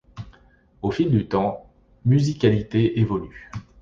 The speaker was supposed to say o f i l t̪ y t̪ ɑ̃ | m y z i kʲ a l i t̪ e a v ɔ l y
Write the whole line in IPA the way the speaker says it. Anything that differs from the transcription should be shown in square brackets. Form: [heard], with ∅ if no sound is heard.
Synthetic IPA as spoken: o f i l [d̪] y t̪ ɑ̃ | m y z i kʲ a l i t̪ e [e] v ɔ l y